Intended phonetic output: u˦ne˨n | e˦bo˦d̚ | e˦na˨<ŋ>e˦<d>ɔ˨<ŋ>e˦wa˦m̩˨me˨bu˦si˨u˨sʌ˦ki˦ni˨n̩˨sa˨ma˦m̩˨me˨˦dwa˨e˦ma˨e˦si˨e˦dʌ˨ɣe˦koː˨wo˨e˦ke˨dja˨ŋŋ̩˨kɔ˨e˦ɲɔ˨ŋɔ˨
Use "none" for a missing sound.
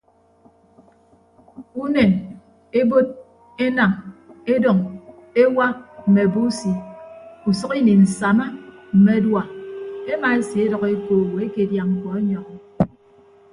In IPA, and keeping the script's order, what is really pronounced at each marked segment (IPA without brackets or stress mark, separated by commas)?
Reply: ŋ, d, ŋ